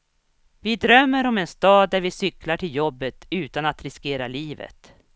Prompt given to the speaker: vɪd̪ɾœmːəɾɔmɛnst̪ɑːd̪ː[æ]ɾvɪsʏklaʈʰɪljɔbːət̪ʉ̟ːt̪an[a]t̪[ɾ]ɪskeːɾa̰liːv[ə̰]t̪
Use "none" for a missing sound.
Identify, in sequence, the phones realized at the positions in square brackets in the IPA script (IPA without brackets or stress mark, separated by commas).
æ, a, ɾ, ə̰